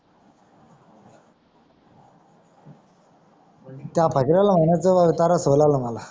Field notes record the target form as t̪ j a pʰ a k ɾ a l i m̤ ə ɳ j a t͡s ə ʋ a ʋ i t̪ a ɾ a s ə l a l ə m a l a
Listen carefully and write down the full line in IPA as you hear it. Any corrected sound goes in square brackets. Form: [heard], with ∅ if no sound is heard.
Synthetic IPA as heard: t̪ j a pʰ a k ɾ a l [a] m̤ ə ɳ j a t͡s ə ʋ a ʋ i t̪ a ɾ a s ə l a l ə m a l a